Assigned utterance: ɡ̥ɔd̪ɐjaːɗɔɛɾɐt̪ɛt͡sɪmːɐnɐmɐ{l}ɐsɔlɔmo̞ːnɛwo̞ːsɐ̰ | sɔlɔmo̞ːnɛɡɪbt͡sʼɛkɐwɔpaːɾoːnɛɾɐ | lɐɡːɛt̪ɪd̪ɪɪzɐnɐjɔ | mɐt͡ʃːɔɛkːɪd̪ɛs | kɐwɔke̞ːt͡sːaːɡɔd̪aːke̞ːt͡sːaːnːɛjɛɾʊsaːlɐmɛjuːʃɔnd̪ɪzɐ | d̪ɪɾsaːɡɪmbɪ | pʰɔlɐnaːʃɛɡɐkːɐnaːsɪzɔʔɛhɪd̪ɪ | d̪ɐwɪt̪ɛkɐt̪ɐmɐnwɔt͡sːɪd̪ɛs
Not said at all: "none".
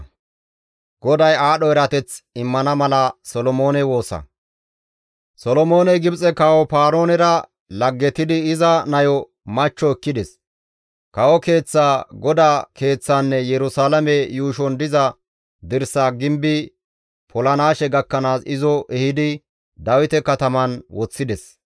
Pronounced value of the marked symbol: l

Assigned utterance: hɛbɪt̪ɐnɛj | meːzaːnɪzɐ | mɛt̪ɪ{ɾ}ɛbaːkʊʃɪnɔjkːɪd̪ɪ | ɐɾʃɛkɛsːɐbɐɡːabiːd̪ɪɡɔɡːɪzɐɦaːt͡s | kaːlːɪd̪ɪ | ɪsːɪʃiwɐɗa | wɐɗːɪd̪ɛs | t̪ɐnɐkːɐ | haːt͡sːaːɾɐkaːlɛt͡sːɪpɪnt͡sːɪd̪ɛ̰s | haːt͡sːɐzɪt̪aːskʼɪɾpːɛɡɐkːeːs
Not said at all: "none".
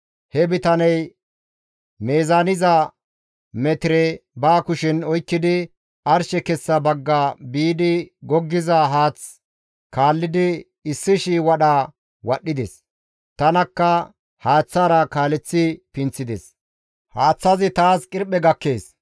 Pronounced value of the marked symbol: ɾ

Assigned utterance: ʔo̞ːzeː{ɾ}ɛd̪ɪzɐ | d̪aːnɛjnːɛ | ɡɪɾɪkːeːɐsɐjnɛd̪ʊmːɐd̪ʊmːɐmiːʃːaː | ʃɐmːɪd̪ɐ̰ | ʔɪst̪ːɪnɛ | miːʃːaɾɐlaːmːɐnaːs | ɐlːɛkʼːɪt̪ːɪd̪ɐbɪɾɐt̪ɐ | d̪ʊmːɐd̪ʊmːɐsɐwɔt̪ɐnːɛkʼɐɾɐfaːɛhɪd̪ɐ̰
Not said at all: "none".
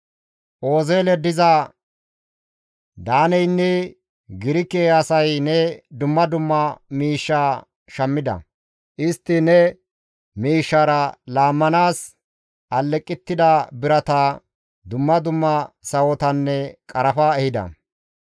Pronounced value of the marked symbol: l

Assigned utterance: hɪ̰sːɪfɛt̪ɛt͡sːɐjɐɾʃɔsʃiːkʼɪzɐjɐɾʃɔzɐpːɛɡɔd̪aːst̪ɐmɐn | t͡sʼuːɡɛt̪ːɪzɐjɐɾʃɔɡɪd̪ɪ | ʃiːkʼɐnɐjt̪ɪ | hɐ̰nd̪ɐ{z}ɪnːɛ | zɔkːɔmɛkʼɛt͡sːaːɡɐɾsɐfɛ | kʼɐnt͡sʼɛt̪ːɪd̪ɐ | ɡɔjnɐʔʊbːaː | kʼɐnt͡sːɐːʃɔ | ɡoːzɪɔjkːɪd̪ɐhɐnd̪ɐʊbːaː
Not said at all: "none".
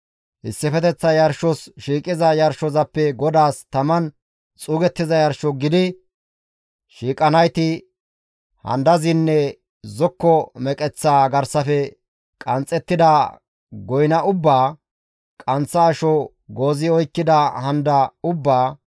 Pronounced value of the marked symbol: z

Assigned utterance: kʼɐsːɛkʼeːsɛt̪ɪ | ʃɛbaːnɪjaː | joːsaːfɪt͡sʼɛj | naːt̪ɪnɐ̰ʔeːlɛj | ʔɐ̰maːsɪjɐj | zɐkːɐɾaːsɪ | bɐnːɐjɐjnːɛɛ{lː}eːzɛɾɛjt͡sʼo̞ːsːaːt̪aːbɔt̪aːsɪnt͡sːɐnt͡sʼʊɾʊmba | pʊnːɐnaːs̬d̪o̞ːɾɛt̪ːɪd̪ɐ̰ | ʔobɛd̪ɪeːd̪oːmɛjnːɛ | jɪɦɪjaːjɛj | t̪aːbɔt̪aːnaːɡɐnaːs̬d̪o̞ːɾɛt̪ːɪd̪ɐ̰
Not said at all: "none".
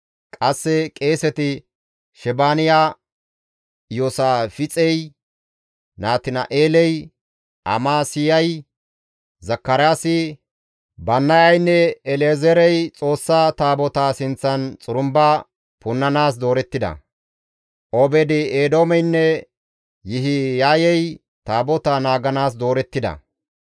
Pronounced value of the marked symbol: l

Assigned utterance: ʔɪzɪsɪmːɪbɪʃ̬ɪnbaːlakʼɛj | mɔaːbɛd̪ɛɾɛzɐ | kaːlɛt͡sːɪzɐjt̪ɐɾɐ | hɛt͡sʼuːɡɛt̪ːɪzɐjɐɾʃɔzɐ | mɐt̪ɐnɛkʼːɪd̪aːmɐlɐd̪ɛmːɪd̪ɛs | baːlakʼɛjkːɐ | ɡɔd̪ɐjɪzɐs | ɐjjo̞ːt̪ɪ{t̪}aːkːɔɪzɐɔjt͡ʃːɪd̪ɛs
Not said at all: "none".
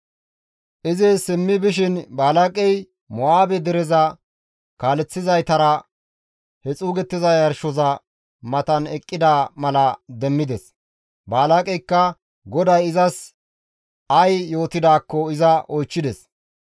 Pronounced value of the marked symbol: d̪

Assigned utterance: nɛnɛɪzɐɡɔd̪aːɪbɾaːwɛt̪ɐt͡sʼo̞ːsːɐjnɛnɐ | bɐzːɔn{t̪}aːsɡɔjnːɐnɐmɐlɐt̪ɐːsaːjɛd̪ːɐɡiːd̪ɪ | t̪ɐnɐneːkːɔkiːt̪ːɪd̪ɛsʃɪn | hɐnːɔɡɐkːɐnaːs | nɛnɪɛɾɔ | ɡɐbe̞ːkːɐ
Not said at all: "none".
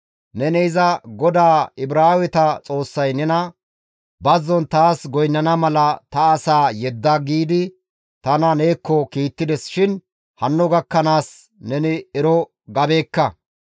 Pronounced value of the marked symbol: t̪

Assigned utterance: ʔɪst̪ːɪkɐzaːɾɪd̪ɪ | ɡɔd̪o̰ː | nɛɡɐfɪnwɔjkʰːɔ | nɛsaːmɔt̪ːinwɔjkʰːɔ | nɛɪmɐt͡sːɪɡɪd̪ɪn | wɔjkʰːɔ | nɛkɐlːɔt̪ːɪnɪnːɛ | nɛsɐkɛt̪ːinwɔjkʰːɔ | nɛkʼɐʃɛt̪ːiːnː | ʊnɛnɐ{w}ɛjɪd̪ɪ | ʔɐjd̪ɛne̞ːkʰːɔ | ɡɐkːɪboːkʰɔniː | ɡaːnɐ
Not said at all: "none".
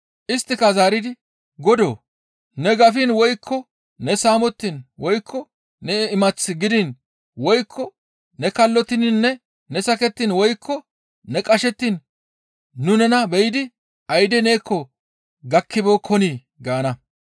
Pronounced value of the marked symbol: b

